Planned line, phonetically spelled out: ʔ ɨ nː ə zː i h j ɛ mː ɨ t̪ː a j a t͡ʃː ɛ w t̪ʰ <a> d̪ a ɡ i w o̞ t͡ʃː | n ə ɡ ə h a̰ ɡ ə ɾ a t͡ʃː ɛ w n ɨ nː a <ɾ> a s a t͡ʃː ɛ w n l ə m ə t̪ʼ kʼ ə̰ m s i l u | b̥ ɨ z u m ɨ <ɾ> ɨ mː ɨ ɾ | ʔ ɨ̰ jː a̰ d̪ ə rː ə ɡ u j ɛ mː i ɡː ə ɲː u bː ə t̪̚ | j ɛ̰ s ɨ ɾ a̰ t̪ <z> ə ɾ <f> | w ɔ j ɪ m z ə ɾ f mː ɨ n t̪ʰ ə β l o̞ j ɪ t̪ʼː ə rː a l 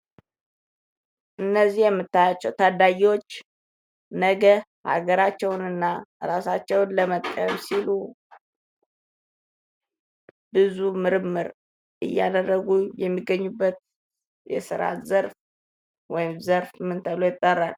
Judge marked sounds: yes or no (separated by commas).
yes, yes, yes, yes, yes